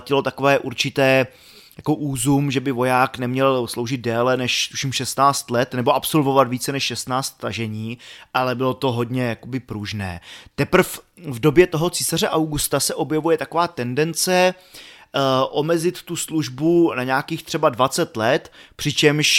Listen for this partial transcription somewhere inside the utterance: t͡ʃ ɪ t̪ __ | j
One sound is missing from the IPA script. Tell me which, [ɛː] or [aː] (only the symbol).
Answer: ɛː